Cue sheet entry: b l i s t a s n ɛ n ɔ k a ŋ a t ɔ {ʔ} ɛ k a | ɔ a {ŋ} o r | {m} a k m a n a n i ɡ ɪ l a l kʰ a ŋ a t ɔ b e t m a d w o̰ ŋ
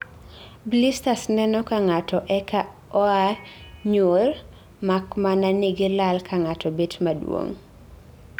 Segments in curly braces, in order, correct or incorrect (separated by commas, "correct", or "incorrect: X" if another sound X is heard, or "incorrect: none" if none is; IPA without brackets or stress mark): correct, incorrect: ɲ, correct